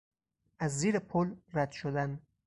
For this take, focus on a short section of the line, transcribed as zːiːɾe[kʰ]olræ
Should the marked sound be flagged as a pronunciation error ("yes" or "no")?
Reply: yes